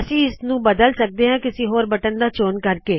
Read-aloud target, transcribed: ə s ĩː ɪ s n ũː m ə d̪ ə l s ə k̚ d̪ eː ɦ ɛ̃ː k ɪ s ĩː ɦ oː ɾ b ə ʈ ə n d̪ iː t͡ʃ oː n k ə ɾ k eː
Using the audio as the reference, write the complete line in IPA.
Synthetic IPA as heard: ə s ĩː ɪ s n ũː b ə d̪ ə l s ə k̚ d̪ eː ɦ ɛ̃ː k ɪ s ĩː ɦ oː ɾ b ə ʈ ə n d̪ aː t͡ʃ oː n k ə ɾ k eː